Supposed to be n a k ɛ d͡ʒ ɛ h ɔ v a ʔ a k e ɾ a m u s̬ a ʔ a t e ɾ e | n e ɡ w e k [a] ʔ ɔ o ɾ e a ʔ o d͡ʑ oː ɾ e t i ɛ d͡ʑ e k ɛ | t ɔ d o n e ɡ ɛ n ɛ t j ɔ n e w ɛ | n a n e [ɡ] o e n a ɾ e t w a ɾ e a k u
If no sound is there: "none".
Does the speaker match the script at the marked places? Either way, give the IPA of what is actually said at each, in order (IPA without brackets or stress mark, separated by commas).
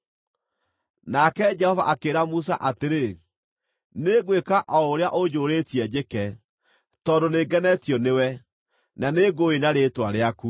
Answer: a, ɡ